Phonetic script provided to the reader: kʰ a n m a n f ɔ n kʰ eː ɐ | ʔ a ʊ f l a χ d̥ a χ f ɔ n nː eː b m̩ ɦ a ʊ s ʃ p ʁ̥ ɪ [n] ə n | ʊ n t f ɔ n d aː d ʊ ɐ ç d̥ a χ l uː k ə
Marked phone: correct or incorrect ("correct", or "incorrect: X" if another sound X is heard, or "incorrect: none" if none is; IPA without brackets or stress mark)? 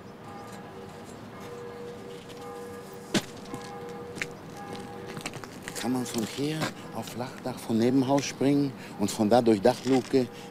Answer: incorrect: ŋ